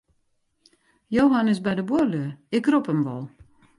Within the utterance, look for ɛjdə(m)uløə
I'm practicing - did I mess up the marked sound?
yes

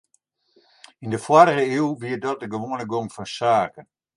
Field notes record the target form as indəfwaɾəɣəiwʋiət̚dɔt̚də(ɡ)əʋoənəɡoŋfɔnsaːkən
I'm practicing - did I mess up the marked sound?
no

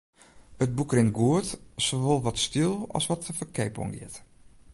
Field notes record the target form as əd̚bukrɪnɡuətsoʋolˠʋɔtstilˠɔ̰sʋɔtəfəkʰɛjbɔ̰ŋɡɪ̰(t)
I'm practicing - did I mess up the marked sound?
no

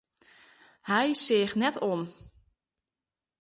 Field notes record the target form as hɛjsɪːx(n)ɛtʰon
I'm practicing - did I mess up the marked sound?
no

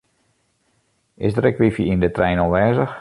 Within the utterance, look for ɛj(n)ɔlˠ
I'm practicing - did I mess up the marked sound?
no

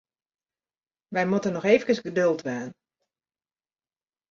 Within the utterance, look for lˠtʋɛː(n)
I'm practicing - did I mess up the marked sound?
no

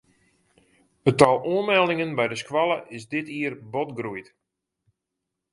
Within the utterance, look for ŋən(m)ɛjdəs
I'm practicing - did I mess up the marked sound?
yes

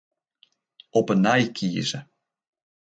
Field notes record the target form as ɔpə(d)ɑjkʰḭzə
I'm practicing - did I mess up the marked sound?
yes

